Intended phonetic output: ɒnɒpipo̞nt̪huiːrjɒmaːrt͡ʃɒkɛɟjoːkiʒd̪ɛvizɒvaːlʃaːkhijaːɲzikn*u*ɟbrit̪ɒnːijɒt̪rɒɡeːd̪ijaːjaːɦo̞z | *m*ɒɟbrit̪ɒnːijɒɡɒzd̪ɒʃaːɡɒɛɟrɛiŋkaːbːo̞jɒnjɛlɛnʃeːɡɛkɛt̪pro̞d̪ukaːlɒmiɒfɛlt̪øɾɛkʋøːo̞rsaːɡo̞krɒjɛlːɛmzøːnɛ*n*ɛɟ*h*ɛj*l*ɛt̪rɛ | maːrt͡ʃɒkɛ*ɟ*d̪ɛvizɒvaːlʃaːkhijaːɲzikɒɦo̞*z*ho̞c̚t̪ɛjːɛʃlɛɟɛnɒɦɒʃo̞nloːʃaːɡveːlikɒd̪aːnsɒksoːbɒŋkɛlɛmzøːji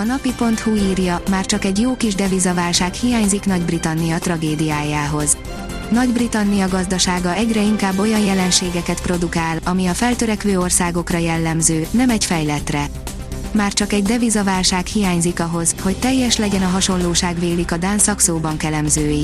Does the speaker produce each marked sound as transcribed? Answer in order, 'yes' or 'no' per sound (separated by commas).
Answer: no, no, no, no, yes, yes, yes